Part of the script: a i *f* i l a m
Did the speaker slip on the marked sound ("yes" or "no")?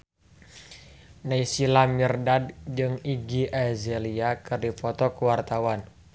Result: yes